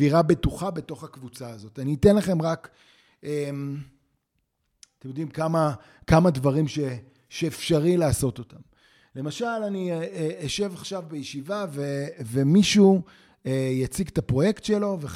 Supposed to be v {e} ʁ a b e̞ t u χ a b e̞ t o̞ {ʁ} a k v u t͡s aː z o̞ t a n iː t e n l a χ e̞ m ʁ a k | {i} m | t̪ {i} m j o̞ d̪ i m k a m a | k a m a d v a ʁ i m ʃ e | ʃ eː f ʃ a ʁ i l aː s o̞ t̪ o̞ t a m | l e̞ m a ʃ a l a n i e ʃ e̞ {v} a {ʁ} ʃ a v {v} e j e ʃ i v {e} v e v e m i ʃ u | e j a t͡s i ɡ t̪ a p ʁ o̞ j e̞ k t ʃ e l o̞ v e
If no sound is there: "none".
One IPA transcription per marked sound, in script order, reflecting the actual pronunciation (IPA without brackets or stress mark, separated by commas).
i, χ, e, e, v, χ, b, a